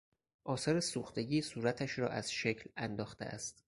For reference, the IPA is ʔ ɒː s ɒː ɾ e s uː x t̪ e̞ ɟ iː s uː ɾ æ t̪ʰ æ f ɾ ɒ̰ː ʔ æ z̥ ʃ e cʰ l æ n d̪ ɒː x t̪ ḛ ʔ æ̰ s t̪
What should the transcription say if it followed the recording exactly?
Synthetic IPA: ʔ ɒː s ɒː ɾ e s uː x t̪ e̞ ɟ iː s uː ɾ æ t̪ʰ æ ʃ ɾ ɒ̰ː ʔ æ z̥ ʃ e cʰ l æ n d̪ ɒː x t̪ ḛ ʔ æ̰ s t̪